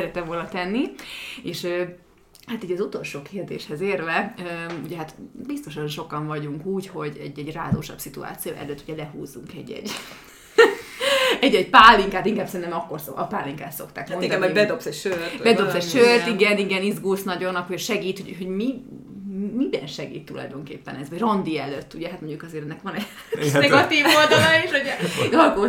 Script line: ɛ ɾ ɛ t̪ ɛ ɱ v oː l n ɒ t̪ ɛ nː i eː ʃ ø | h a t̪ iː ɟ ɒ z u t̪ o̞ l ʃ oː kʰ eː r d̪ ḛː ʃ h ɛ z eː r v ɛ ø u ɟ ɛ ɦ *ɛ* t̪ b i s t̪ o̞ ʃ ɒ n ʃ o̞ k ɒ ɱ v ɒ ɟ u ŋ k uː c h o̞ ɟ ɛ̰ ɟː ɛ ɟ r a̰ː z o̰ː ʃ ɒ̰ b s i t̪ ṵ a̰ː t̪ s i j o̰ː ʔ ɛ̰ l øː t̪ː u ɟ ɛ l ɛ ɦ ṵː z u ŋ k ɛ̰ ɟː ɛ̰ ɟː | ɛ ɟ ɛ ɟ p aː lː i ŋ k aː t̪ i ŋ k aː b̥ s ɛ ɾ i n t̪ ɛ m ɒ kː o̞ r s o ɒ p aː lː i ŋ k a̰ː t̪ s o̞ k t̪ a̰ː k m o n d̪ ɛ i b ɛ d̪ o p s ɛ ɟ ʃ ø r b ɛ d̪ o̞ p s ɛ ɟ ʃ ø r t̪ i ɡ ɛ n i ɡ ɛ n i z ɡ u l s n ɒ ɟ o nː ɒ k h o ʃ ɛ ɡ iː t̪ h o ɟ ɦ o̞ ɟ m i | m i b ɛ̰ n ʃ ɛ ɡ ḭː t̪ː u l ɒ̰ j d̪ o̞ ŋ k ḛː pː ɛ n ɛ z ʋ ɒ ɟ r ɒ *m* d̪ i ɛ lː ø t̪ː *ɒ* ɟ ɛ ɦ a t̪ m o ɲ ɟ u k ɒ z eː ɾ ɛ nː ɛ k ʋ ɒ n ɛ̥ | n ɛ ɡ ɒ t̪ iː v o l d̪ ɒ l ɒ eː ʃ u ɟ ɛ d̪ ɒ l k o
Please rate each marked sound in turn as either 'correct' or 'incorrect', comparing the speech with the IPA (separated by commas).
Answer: incorrect, incorrect, incorrect